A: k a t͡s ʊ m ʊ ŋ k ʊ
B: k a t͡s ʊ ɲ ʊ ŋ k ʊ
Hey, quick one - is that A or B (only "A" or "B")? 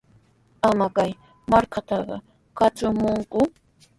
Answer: A